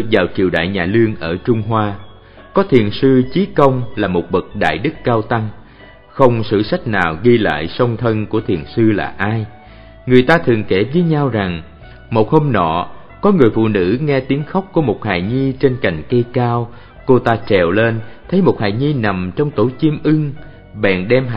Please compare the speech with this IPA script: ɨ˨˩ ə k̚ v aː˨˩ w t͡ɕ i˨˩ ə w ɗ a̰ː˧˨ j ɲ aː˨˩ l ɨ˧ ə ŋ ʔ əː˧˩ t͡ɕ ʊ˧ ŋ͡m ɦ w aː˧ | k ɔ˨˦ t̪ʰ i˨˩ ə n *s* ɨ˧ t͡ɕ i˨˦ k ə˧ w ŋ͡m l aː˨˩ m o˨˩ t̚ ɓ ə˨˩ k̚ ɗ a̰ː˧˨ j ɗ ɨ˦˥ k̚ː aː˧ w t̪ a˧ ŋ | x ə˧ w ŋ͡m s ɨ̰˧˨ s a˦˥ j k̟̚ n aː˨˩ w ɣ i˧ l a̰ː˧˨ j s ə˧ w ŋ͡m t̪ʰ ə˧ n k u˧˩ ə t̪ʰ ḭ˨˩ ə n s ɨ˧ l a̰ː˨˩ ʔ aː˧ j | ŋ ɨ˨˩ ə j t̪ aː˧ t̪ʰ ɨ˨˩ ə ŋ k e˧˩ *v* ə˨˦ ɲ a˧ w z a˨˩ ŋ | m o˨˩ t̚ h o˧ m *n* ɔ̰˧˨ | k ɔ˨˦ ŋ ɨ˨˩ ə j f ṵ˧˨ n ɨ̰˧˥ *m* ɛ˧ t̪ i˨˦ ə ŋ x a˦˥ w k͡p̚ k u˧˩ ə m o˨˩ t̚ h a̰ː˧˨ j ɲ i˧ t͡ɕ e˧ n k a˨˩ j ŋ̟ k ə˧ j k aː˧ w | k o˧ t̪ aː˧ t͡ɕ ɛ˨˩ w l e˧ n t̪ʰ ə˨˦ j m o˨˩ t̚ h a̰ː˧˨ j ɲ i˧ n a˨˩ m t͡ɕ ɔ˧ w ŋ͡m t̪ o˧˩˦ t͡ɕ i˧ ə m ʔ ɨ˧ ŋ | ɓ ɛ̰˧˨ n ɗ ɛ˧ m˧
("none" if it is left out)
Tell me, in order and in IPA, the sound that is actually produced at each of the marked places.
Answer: s, v, n, ŋ

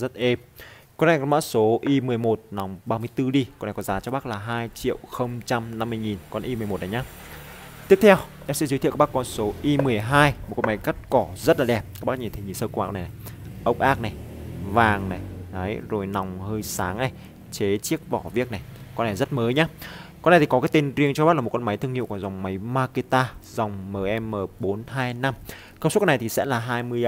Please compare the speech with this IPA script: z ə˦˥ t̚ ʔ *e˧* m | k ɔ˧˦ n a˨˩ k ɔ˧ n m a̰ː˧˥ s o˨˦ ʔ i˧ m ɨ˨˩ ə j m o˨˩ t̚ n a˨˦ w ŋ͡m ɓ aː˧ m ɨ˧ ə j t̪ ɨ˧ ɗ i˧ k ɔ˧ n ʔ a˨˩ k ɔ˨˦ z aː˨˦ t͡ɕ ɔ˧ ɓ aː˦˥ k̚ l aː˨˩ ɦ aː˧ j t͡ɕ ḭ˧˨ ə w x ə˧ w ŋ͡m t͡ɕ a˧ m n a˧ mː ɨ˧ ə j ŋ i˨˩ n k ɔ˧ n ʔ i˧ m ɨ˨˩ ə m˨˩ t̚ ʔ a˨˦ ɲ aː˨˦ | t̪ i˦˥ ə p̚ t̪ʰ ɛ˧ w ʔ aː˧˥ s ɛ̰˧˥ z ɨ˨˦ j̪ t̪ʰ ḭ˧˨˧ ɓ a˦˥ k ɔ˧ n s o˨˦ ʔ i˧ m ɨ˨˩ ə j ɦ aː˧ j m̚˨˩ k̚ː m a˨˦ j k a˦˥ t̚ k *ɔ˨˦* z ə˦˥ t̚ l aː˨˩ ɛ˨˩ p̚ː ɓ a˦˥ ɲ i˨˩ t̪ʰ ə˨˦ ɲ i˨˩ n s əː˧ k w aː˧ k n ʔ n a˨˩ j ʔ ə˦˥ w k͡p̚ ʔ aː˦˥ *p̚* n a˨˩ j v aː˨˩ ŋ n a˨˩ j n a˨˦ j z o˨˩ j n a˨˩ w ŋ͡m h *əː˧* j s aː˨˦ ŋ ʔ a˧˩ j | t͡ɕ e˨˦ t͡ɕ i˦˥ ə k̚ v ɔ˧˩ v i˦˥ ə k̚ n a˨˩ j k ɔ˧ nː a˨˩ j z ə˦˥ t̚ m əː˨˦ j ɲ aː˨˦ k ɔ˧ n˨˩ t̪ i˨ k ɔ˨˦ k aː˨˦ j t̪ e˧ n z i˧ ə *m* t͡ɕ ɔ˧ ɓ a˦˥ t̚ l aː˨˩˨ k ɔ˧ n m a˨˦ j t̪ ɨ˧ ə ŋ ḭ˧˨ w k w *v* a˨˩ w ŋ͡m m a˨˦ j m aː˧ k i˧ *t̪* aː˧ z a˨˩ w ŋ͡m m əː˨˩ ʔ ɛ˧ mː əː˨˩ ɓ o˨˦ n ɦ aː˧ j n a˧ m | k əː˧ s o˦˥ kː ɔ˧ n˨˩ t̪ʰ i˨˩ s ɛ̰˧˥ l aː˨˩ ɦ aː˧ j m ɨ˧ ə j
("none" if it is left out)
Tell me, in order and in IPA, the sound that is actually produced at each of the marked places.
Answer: e˧, ɔ˧˩, k̚, əː˧, ŋ, z, t̪

